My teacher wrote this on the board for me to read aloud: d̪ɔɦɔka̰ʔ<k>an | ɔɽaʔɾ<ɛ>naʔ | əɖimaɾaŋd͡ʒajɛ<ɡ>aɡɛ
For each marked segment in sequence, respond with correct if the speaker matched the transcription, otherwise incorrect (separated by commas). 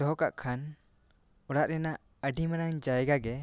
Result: incorrect, correct, correct